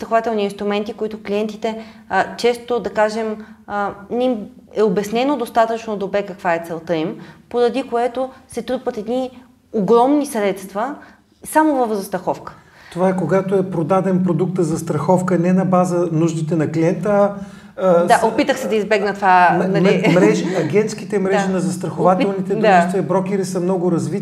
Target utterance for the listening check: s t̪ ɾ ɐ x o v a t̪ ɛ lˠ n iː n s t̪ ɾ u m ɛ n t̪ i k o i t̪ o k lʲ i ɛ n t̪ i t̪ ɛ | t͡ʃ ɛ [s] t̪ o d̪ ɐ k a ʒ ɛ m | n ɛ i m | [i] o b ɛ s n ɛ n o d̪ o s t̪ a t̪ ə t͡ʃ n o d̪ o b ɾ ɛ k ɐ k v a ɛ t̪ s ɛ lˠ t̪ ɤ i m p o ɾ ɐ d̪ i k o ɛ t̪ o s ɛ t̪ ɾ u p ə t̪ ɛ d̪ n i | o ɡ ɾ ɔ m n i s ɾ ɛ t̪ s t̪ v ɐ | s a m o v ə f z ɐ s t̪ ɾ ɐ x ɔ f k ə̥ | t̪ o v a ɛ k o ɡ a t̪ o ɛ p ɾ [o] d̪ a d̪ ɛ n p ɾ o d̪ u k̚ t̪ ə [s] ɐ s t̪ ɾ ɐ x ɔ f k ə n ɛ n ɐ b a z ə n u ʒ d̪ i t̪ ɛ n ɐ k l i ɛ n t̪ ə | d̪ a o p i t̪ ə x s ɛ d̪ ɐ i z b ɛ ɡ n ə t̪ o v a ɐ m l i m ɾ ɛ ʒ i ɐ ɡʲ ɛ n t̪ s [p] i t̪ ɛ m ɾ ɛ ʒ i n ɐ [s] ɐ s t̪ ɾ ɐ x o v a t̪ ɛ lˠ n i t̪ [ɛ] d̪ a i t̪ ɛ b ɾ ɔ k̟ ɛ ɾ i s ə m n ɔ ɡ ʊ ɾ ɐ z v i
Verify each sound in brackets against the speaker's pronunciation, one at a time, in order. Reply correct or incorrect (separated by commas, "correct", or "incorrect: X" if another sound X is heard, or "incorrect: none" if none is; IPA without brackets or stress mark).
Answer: correct, incorrect: ɛ, correct, incorrect: z, incorrect: k, incorrect: z, correct